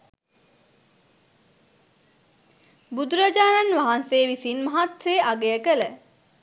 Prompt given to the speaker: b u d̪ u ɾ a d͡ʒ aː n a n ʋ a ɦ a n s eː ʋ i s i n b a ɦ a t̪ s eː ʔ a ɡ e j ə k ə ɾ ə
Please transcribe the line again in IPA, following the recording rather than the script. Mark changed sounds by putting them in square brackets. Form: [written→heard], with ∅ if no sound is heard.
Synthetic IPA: b u d̪ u ɾ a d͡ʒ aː n a n ʋ a ɦ a n s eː ʋ i s i n [b→m] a ɦ a t̪ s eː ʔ a ɡ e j ə k ə [ɾ→l] ə